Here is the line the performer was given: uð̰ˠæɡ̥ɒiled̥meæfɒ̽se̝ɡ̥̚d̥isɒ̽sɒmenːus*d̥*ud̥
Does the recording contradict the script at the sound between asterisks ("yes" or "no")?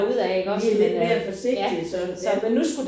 yes